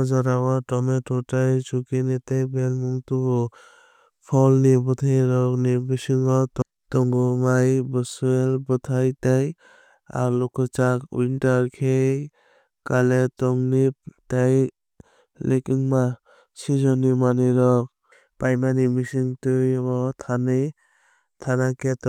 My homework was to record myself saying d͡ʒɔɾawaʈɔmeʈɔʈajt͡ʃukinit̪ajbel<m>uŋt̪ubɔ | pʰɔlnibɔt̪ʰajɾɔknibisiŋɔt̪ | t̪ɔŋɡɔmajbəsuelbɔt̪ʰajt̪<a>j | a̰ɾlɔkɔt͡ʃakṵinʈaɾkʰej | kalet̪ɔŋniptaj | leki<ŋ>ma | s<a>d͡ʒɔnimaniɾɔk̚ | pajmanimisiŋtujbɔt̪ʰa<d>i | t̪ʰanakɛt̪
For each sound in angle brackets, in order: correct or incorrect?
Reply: correct, correct, correct, incorrect: i, incorrect: n

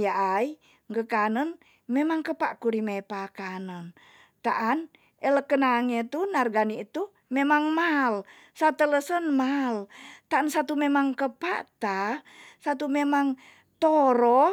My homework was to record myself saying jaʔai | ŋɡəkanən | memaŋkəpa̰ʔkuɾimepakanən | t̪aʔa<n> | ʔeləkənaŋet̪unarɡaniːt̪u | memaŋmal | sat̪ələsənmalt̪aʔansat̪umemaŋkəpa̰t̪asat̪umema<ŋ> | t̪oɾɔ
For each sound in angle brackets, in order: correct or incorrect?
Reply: correct, correct

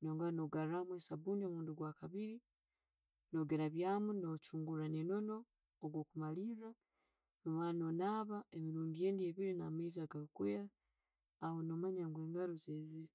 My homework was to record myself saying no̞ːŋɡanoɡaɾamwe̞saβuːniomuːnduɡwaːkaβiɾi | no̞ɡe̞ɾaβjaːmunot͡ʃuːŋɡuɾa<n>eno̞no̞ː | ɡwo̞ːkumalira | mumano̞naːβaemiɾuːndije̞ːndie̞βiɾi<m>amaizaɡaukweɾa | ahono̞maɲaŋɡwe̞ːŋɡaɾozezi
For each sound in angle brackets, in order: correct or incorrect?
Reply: correct, incorrect: n

